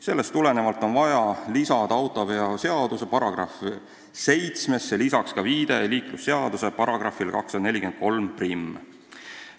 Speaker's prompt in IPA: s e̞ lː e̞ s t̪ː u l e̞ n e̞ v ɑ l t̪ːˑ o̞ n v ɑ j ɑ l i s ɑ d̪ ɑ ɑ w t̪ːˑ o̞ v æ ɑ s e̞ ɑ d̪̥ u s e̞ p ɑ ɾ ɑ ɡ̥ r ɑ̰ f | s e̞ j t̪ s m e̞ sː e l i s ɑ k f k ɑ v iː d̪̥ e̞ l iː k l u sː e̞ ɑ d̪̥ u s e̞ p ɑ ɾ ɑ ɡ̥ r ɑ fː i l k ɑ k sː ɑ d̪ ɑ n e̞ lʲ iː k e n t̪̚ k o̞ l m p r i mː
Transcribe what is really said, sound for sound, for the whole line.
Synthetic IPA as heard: s e̞ lː e̞ s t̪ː u l e̞ n e̞ v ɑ l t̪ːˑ o̞ n v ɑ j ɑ l i s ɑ d̪ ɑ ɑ w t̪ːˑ o̞ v e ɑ s e̞ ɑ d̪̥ u s e̞ p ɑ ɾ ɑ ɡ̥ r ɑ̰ f | s e̞ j t̪ s m e̞ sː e l i s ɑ k s k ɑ v iː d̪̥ e̞ l iː k l u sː e̞ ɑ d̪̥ u s e̞ p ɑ ɾ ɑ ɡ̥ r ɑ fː i l k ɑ k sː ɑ d̪ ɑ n e̞ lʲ i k e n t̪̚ k o̞ l m p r i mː